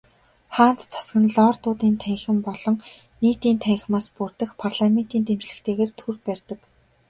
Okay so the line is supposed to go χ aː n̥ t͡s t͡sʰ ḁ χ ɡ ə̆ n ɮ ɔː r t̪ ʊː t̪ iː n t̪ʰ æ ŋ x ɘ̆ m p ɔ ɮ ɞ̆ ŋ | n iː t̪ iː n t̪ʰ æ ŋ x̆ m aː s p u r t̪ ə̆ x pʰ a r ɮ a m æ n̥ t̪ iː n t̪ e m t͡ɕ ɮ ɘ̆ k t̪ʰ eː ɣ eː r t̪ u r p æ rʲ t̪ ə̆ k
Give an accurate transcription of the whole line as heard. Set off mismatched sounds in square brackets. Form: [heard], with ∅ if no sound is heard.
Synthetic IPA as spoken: χ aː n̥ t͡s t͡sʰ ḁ [s] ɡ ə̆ n ɮ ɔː r t̪ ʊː t̪ iː n t̪ʰ æ ŋ x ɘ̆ m p ɔ ɮ ɞ̆ ŋ | n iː t̪ iː n t̪ʰ æ ŋ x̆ m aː s p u r t̪ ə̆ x pʰ a r ɮ a m [e] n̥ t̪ iː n t̪ e m t͡ɕ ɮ ɘ̆ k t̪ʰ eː ɣ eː r [t̪ʰ] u r p æ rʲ t̪ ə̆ k